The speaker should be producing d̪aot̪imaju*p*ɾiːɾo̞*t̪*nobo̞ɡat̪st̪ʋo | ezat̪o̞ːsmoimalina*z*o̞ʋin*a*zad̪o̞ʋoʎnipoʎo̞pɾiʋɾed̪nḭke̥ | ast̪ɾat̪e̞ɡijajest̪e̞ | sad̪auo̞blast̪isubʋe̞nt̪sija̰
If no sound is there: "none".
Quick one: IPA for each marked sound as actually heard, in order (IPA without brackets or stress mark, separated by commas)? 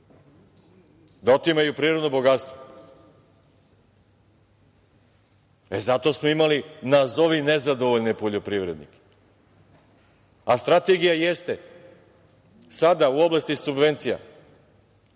p, d̪, z, e